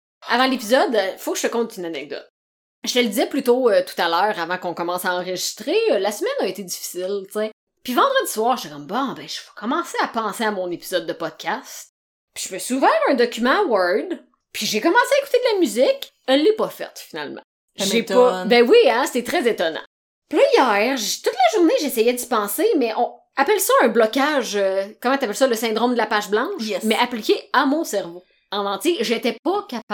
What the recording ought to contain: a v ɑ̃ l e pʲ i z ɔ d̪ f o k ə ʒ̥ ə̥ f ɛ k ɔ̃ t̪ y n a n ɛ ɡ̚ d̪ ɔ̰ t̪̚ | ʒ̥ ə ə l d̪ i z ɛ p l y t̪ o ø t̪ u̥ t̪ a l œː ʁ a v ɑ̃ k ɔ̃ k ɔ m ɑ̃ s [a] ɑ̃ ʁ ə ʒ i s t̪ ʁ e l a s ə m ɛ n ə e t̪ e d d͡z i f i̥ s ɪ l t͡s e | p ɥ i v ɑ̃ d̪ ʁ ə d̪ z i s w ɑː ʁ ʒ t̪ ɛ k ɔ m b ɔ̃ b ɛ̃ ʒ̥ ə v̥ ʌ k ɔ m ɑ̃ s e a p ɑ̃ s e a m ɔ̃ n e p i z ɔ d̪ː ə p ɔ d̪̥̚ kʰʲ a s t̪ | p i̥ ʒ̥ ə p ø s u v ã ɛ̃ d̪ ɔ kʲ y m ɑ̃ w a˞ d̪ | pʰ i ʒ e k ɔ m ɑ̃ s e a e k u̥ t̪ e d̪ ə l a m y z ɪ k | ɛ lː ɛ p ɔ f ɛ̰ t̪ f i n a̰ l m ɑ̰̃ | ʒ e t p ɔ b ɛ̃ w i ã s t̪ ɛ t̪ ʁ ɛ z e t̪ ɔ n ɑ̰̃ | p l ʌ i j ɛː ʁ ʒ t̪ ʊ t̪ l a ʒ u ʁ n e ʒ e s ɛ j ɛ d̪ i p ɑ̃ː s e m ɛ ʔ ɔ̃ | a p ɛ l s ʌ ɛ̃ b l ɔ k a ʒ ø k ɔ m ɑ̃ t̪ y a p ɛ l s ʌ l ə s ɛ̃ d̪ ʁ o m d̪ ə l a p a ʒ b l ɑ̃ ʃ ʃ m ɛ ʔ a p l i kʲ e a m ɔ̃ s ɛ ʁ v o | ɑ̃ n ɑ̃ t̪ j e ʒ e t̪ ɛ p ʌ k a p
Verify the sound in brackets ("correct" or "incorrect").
correct